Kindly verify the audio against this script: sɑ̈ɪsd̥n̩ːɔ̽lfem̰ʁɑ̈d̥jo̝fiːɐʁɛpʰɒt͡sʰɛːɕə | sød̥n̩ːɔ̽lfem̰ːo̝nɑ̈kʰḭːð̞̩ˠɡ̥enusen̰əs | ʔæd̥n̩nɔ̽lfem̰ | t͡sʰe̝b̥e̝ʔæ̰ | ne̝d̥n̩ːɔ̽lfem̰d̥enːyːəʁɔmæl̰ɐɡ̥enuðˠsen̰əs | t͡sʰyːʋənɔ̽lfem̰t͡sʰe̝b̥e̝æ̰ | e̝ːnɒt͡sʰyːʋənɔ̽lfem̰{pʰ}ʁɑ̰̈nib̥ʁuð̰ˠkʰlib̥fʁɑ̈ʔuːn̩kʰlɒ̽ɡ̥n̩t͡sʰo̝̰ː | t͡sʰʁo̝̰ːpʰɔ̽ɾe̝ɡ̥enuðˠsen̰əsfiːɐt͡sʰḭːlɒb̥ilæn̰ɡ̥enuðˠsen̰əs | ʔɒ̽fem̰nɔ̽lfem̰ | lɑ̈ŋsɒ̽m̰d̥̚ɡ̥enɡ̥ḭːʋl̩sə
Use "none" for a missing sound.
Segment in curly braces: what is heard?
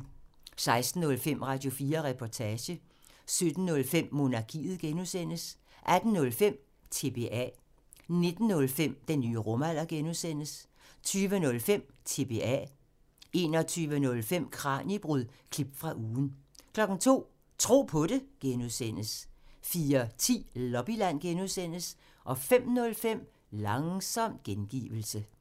kʰ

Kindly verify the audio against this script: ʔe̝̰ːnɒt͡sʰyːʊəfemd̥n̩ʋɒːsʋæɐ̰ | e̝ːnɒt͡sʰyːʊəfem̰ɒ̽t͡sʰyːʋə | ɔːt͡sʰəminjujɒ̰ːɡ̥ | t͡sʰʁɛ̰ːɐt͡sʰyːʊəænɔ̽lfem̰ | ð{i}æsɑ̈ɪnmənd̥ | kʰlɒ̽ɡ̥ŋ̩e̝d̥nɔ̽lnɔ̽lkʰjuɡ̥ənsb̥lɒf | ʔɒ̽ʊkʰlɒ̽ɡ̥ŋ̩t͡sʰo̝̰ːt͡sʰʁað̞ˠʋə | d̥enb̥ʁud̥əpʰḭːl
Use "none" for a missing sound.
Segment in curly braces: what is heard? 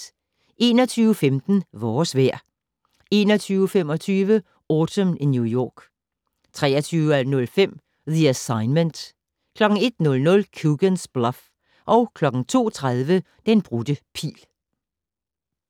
i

